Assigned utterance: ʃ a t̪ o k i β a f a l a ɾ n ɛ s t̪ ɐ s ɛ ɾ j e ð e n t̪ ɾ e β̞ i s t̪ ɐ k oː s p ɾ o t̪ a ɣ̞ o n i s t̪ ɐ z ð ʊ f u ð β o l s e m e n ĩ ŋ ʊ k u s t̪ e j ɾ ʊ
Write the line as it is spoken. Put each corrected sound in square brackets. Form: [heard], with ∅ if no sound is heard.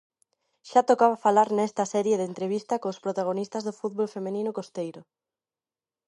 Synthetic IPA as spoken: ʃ a t̪ o k [a] β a f a l a ɾ n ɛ s t̪ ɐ s ɛ ɾ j e ð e n t̪ ɾ e β̞ i s t̪ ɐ k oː s p ɾ o t̪ a ɣ̞ o n i s t̪ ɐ z ð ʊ f u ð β o l [f] e m e n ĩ [n] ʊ k [o] s t̪ e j ɾ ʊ